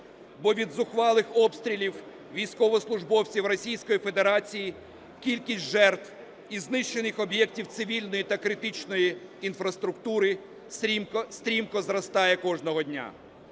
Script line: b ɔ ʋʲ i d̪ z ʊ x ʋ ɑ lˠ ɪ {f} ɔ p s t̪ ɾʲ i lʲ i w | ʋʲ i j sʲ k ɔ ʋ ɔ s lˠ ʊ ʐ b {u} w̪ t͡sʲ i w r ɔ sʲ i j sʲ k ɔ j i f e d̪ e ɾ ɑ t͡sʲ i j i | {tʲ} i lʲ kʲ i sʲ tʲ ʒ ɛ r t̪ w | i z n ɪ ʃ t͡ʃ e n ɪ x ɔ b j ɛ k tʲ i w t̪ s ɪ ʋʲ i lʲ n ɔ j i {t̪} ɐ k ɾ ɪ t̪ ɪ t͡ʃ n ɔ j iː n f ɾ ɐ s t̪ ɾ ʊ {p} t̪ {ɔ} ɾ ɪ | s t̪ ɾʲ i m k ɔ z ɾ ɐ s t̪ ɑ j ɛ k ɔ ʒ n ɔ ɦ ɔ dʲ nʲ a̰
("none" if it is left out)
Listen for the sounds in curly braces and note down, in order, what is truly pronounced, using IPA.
x, ɔ, kʲ, t̪, k, u

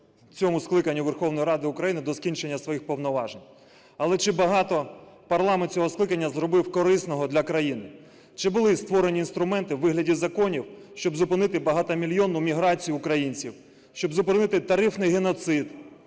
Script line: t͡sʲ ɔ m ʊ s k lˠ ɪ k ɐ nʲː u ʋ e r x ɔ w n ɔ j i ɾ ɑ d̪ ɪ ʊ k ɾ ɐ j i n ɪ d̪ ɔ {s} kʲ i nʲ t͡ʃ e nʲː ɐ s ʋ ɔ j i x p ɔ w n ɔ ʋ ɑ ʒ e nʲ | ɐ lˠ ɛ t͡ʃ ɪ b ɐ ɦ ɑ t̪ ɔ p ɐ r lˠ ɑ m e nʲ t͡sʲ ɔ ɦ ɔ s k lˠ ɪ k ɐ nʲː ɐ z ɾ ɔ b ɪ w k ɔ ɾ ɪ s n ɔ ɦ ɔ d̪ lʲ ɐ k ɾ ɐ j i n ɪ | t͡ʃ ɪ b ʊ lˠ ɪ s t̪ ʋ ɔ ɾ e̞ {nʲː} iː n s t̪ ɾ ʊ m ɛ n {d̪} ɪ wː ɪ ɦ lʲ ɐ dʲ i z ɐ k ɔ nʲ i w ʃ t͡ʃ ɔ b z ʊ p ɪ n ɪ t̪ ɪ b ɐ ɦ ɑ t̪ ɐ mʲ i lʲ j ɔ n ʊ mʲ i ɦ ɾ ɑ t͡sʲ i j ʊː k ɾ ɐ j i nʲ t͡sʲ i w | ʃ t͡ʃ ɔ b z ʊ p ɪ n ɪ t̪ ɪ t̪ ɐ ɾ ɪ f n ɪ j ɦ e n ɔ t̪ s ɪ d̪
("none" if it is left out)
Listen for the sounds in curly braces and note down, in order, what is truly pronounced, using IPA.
s, nʲ, t̪

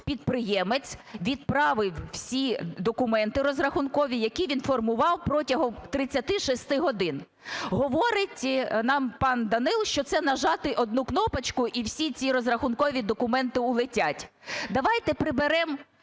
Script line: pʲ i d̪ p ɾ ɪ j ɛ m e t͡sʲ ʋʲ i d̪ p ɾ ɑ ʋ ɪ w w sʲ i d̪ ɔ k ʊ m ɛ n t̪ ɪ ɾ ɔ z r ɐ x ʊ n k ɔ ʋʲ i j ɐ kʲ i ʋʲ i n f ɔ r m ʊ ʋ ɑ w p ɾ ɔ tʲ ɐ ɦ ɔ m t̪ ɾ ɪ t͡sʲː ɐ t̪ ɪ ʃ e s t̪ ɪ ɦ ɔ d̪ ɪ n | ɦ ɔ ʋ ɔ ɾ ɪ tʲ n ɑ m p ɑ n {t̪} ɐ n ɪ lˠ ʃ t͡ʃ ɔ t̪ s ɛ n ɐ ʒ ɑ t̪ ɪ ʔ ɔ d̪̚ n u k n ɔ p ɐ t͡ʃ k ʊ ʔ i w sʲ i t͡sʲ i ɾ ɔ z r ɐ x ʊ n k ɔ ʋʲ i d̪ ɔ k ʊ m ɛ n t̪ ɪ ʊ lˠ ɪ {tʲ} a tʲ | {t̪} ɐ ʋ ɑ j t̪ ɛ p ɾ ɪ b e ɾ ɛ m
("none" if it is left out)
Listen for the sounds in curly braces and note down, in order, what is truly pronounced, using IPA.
d̪, tʲ, d̪

